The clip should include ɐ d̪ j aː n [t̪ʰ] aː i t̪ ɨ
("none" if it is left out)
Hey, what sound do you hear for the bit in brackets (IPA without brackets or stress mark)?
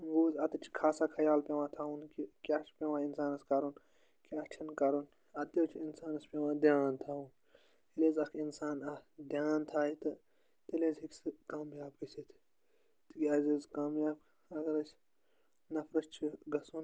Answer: t̪ʰ